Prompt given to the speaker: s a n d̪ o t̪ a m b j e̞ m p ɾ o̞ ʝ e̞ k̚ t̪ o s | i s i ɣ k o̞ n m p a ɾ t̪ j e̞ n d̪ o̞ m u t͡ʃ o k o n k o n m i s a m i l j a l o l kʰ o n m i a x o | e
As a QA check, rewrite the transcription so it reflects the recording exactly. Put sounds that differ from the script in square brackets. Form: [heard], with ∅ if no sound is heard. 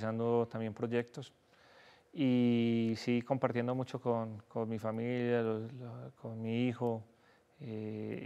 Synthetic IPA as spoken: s a n d̪ o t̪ a m b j e̞ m p ɾ o̞ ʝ e̞ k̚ t̪ o s | i s i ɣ k o̞ [∅] m p a ɾ t̪ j e̞ n d̪ o̞ m u t͡ʃ o k o n k o n m i [f] a m i l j a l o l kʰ o n m i [i] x o | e